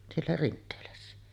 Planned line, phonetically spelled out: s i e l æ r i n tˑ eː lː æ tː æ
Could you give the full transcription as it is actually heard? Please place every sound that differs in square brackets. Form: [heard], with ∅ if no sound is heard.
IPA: s i e [lː] æ r i n tˑ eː [l] æ [sː] æ